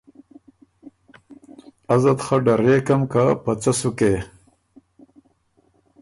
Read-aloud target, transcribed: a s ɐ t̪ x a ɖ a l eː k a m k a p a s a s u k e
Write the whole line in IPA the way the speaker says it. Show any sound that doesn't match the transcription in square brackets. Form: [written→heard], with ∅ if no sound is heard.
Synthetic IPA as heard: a [s→z] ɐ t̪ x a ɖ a [l→ɾ] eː k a m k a p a [s→t͡s] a s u k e